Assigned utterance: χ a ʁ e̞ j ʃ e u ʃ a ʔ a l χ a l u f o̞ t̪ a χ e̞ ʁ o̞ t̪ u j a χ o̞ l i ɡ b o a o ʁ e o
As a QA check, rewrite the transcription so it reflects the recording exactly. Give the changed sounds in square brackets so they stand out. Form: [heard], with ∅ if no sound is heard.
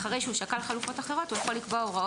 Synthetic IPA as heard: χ a ʁ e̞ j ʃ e u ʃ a [k] a l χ a l u f o̞ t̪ a χ e̞ ʁ o̞ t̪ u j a χ o̞ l i [k] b o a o ʁ [a] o